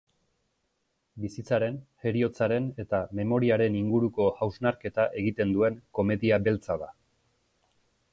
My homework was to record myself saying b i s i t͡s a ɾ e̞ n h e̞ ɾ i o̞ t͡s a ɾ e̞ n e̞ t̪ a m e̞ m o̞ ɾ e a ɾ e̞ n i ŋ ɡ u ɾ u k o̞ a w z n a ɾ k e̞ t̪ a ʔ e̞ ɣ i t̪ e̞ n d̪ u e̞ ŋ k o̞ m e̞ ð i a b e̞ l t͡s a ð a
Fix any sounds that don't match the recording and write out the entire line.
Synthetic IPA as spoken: b i s i t͡s a ɾ e̞ n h e̞ ɾ i o̞ t͡s a ɾ e̞ n e̞ t̪ a m e̞ m o̞ ɾ i a ɾ e̞ n i ŋ ɡ u ɾ u k o̞ a w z n a ɾ k e̞ t̪ a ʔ e̞ ɣ i t̪ e̞ n d̪ u e̞ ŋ k o̞ m e̞ ð i a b e̞ l t͡s a ð a